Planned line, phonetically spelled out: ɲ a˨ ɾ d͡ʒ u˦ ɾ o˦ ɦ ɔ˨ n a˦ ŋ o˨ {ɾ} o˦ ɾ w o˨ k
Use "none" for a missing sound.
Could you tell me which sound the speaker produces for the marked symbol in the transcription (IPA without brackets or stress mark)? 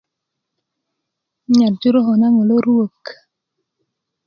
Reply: l